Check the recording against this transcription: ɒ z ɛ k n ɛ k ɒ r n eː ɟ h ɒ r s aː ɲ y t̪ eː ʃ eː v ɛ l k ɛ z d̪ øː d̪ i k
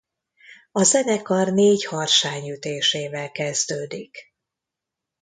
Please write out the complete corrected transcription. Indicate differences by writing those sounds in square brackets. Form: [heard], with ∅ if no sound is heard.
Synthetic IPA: ɒ z ɛ [∅] n ɛ k ɒ r n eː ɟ h ɒ r [ʃ] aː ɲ y t̪ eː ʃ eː v ɛ l k ɛ z d̪ øː d̪ i k

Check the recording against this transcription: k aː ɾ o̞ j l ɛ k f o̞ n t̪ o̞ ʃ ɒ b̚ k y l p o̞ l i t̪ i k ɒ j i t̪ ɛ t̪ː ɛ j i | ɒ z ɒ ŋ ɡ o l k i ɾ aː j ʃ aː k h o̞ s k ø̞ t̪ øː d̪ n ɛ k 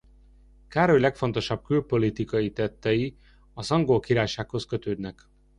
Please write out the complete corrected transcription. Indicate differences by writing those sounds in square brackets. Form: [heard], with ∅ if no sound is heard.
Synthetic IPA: k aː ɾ o̞ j l ɛ k f o̞ n t̪ o̞ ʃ ɒ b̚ k y l p o̞ l i t̪ i k ɒ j i t̪ ɛ t̪ː ɛ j i | ɒ z ɒ ŋ ɡ o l k i ɾ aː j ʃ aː k h o̞ s k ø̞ t̪ øː d̪ n ɛ k

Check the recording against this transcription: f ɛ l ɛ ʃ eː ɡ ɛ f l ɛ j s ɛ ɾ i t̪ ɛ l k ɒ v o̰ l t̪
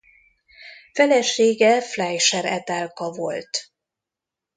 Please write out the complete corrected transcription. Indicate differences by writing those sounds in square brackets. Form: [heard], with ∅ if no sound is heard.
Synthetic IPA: f ɛ l ɛ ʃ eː ɡ ɛ f l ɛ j [ʃ] ɛ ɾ [ɛ] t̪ ɛ l k ɒ v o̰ l t̪

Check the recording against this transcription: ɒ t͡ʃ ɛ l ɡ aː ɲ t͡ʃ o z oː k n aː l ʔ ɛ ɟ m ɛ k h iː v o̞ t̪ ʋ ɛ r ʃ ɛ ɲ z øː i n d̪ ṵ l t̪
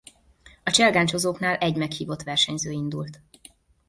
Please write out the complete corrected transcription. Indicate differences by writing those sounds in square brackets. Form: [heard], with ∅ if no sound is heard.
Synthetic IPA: ɒ t͡ʃ ɛ l ɡ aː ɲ t͡ʃ o z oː k n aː l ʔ ɛ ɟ m ɛ k h iː v o̞ t̪ ʋ ɛ r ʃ ɛ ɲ z øː i n d̪ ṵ l t̪

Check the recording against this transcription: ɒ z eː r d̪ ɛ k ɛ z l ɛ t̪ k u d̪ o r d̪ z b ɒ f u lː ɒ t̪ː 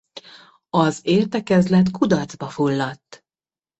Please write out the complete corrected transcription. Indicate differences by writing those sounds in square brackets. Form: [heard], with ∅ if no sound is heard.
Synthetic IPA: ɒ z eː r [t̪] ɛ k ɛ z l ɛ t̪ k u d̪ [ɒ] r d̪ z b ɒ f u lː ɒ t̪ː

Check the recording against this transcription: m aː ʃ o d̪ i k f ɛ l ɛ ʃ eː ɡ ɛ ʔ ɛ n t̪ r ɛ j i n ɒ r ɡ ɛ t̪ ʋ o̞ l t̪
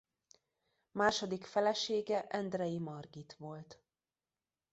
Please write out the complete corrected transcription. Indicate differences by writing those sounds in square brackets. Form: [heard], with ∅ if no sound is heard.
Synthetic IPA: m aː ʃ o d̪ i k f ɛ l ɛ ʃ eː ɡ ɛ ʔ ɛ n [d̪] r ɛ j i [m] ɒ r ɡ [i] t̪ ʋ o̞ l t̪

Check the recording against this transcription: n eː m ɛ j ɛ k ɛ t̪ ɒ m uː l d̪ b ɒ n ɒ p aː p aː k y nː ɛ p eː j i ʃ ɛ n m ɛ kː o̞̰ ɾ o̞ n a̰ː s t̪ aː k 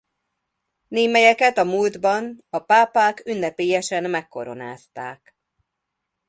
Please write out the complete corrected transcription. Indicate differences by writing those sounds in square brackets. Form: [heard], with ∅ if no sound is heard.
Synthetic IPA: n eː m ɛ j ɛ k ɛ t̪ ɒ m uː l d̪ b ɒ n ɒ p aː p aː k y nː ɛ p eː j [ɛ] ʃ ɛ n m ɛ kː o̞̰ ɾ o̞ n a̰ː s t̪ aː k

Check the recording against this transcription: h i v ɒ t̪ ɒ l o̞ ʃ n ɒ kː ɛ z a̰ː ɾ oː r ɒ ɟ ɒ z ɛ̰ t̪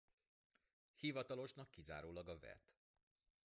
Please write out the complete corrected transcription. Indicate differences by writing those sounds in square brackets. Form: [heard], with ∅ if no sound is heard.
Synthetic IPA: h i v ɒ t̪ ɒ l o̞ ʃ n ɒ kː [i] z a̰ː ɾ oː [l] ɒ [ɡ] ɒ [v] ɛ̰ t̪

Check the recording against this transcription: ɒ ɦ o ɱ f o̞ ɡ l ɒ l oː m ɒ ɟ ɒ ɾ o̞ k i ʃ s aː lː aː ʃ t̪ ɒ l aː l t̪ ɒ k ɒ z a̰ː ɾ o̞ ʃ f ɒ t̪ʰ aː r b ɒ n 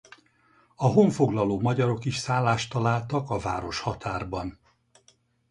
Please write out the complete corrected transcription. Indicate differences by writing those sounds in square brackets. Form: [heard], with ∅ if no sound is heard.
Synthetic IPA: ɒ ɦ o ɱ f o̞ ɡ l ɒ l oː m ɒ ɟ ɒ ɾ o̞ k i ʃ s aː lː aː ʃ t̪ ɒ l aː l t̪ ɒ k ɒ [v] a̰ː ɾ o̞ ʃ [h] ɒ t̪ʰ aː r b ɒ n

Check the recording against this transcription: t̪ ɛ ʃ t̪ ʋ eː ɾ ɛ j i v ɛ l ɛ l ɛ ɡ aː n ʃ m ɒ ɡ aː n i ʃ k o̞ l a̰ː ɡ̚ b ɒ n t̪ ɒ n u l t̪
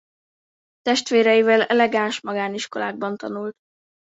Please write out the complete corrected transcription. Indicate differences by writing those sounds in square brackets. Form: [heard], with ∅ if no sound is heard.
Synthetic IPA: t̪ ɛ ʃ t̪ ʋ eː ɾ ɛ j i v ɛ l ɛ l ɛ ɡ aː n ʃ m ɒ ɡ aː n i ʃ k o̞ l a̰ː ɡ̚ b ɒ n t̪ ɒ n u l t̪

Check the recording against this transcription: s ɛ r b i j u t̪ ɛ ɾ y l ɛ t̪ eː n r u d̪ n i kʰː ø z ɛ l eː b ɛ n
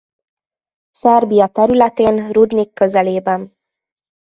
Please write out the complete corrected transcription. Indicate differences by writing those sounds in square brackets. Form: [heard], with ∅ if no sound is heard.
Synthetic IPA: s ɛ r b i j [ɒ] t̪ ɛ ɾ y l ɛ t̪ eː n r u d̪ n i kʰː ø z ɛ l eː b ɛ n

